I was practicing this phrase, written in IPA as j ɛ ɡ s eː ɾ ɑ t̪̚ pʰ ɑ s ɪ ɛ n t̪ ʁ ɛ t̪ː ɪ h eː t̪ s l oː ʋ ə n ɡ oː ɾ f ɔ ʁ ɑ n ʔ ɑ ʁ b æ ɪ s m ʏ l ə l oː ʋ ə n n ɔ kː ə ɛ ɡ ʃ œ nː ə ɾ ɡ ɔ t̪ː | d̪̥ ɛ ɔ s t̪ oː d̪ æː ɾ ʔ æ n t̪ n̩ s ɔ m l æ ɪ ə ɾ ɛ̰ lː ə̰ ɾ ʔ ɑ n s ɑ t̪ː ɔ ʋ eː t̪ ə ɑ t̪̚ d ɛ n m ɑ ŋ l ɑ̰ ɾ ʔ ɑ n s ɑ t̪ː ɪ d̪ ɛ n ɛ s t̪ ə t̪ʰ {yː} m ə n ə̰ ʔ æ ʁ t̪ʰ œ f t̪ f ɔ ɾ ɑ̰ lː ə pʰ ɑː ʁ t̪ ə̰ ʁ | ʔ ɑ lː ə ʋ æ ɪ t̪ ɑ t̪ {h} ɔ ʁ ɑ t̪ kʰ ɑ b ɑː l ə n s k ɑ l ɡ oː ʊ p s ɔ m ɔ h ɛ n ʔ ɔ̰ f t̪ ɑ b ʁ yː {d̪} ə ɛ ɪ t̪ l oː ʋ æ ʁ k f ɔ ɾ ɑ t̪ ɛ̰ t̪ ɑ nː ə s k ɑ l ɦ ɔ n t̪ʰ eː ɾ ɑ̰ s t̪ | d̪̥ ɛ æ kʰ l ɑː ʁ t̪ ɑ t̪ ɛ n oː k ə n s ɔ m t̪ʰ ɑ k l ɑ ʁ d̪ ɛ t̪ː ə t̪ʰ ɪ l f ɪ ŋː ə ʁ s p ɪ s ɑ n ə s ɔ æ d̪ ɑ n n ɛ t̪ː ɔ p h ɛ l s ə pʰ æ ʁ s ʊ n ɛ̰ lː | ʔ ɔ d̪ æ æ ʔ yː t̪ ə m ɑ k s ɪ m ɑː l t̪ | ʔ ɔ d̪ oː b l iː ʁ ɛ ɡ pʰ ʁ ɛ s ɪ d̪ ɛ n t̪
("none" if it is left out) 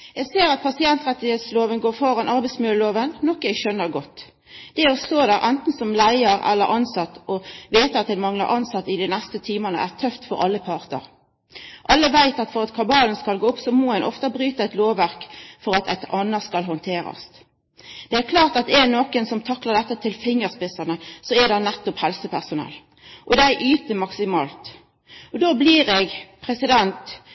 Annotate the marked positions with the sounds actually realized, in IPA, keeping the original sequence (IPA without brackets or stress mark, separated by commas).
iː, f, t̪